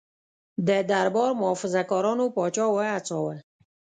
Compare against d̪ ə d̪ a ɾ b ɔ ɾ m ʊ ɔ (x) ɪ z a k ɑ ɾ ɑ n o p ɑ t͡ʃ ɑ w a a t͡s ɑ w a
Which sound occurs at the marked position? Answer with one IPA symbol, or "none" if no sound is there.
f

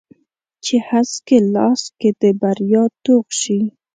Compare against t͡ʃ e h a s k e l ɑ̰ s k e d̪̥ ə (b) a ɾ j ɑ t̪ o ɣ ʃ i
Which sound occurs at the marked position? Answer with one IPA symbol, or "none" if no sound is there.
b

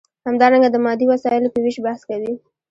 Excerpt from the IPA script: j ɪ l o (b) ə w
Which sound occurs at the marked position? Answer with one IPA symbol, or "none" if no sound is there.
p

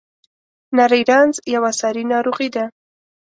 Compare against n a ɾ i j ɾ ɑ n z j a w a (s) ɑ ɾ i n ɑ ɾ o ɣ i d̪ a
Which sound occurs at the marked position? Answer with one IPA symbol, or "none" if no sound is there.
s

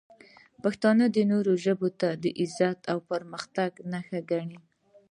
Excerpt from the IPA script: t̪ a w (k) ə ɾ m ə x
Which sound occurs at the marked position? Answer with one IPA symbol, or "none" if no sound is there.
p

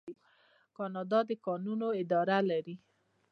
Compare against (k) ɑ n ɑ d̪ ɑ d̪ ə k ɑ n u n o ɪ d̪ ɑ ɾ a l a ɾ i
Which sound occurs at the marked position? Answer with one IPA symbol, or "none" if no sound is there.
k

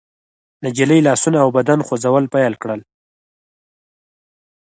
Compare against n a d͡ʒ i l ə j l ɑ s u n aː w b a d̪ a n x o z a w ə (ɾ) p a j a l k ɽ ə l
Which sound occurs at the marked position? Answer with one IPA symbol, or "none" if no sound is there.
l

